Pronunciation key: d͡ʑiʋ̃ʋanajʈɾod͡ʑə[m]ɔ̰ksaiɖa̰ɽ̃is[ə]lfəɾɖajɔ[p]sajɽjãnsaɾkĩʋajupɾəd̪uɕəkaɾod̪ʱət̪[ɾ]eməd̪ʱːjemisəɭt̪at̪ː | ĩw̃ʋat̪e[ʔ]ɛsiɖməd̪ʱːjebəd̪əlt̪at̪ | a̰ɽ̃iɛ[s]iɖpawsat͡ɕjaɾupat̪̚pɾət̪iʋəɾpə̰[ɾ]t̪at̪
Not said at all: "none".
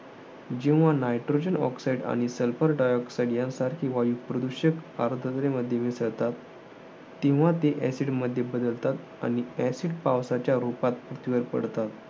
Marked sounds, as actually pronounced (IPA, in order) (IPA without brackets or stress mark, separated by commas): n, ə, k, ɾ, ʔ, s, ɽ